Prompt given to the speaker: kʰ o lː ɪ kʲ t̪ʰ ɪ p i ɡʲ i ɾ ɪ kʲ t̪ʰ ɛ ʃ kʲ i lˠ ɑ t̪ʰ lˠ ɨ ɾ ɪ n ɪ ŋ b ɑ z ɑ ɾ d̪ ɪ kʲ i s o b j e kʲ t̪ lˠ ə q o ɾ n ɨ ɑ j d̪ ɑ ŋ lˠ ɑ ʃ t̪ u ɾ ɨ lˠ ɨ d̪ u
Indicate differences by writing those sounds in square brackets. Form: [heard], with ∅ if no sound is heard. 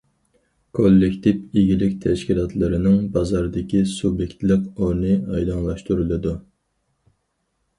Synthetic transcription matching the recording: kʰ o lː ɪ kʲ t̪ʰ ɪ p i ɡʲ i [l] ɪ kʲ t̪ʰ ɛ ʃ kʲ i lˠ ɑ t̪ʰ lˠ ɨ ɾ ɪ n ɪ ŋ b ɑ z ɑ ɾ d̪ ɪ kʲ i s [u] b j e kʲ t̪ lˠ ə q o ɾ n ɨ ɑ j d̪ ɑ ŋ lˠ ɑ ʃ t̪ u ɾ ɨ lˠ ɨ d̪ u